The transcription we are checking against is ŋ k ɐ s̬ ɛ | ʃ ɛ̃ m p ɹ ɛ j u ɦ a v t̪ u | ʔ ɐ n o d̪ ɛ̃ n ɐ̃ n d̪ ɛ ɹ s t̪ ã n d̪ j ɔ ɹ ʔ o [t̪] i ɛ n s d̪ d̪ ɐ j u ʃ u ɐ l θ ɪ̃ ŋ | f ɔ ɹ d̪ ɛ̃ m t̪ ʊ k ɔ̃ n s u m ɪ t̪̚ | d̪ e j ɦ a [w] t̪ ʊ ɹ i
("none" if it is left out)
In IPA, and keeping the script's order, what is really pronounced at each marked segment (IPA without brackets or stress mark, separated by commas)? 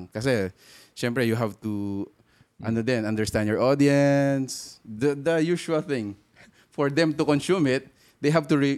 d̪, v